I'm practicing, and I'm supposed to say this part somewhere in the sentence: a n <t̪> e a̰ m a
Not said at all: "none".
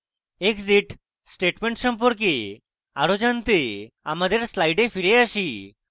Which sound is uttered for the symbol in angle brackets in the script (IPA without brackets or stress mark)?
t̪